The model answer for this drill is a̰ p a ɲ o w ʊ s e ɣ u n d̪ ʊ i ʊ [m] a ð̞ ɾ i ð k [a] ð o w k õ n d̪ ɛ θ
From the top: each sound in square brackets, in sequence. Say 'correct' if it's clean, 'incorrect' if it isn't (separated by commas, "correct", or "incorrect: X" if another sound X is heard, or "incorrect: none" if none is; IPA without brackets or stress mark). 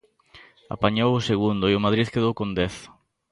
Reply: correct, incorrect: e